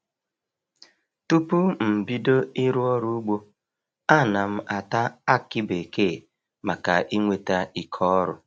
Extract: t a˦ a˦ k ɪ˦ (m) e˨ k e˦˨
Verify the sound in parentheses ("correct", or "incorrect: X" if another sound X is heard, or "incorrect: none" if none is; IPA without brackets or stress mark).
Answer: incorrect: b